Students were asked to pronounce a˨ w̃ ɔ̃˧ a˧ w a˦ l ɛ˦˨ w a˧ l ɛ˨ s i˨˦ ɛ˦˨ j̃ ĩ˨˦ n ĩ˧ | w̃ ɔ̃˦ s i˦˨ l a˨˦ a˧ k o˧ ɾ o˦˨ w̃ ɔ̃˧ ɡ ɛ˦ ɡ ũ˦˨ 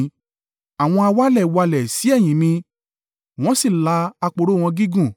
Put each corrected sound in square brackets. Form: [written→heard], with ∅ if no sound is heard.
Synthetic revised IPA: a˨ w̃ ɔ̃˧ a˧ w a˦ l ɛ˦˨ w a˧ l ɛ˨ s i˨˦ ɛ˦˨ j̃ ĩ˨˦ n ĩ˧ | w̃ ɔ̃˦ s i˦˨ l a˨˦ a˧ [k→k͡p] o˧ ɾ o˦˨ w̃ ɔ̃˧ ɡ [ɛ˦→i˦] ɡ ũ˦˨